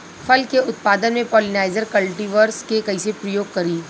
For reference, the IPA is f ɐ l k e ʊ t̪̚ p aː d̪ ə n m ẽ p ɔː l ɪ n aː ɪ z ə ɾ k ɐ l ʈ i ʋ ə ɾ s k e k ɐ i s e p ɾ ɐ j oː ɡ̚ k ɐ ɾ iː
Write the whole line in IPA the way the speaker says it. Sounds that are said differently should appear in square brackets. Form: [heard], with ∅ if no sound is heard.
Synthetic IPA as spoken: f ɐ l k e ʊ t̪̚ p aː d̪ ə n m ẽ p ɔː l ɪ n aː ɪ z ə ɾ k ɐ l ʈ i ʋ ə ɾ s k e k ɐ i s e p ɾ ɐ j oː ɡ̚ k ɐ ɾ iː